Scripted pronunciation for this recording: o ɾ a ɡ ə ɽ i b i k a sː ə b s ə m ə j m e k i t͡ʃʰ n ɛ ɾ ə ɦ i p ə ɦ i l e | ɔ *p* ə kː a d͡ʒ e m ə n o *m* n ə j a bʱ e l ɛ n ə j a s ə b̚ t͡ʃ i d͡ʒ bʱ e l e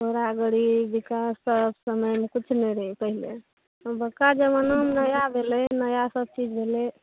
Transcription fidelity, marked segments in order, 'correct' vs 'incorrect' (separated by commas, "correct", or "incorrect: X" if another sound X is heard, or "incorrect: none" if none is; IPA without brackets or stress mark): incorrect: b, correct